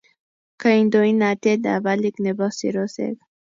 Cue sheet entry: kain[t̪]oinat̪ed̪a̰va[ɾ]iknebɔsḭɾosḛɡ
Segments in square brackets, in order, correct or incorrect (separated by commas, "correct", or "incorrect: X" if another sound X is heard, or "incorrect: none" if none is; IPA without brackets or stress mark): incorrect: d̪, incorrect: l